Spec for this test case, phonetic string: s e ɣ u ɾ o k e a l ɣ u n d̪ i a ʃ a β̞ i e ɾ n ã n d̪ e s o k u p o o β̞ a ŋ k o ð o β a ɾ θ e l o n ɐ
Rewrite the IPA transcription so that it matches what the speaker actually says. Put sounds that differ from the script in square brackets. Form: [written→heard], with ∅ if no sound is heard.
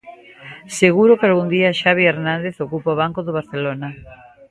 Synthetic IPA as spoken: s e ɣ u ɾ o k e a l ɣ u n d̪ i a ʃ a β̞ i e ɾ n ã n d̪ e [s→θ] o k u p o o β̞ a ŋ k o ð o β a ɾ θ e l o n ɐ